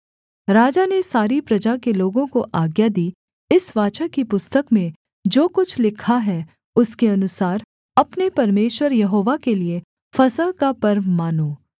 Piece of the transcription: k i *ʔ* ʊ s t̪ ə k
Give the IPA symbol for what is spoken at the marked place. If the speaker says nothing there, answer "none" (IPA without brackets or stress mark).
p